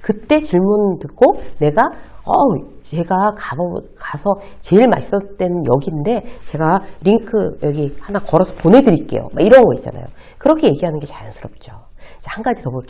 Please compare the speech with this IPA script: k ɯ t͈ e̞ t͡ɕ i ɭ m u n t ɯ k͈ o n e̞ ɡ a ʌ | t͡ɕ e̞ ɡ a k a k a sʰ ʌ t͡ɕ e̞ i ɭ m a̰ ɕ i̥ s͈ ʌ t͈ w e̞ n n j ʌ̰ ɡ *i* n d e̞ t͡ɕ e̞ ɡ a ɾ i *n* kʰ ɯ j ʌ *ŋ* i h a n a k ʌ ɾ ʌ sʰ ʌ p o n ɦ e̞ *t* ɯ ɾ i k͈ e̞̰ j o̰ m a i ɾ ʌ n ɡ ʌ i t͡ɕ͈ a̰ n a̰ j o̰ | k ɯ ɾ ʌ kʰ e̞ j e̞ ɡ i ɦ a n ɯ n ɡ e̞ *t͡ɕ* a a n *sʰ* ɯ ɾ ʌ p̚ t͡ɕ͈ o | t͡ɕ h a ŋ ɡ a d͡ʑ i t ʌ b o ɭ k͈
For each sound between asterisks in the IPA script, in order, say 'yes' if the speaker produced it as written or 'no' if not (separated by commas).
yes, no, no, no, yes, yes